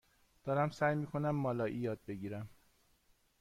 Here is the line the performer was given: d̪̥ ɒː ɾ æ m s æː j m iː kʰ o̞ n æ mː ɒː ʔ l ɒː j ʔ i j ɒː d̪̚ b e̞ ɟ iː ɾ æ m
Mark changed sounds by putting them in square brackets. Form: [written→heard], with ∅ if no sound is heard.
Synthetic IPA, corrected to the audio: d̪̥ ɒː ɾ æ m s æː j m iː kʰ o̞ n æ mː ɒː [ʔ→∅] l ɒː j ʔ i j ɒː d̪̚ b e̞ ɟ iː ɾ æ m